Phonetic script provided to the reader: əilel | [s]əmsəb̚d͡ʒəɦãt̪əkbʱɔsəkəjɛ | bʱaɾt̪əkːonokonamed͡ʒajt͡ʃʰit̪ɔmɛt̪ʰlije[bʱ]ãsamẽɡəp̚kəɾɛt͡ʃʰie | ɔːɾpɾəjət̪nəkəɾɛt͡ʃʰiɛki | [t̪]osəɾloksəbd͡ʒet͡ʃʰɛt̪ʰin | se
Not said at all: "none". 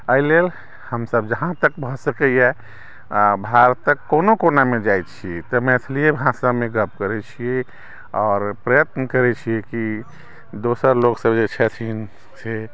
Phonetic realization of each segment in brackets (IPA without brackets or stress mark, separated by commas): h, bʱ, d̪